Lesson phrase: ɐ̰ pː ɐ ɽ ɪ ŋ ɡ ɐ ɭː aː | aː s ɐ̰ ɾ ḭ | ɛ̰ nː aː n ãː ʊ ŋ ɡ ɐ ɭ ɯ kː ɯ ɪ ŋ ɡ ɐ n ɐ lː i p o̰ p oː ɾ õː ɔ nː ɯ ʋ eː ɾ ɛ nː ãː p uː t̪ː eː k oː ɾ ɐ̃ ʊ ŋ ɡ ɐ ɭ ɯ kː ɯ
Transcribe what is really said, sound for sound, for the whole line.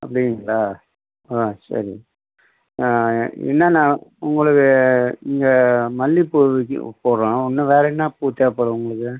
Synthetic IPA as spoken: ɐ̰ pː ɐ ɽ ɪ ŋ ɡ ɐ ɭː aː | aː s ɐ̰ ɾ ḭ | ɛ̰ nː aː n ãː ʊ ŋ ɡ ɐ ɭ ɯ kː ɯ ɪ ŋ ɡ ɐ m ɐ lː i p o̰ p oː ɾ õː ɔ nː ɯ ʋ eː ɾ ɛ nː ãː p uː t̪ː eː p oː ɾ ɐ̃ ʊ ŋ ɡ ɐ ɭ ɯ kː ɯ